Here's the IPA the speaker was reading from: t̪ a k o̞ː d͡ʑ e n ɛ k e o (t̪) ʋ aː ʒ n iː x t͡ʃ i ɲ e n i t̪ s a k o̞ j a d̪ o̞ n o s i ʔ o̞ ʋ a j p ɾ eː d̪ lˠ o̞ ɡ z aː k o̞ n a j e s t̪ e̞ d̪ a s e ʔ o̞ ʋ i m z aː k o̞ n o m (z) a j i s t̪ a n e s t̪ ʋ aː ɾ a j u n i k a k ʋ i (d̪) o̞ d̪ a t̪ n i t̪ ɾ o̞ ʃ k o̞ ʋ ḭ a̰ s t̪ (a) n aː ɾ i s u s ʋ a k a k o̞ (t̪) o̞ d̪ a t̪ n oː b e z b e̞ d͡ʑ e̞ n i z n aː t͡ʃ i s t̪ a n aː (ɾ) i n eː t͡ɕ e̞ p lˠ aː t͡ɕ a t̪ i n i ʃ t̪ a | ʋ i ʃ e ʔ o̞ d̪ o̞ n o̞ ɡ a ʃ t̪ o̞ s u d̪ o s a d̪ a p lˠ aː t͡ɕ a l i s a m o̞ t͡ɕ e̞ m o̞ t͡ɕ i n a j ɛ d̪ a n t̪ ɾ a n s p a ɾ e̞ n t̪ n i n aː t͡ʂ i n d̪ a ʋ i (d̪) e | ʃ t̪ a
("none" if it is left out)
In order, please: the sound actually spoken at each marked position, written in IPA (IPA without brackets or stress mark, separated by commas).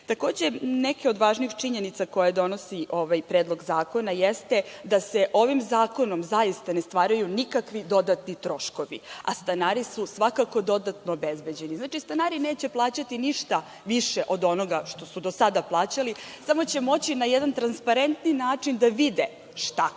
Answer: d̪, z, d̪, a, d̪, ɾ, d̪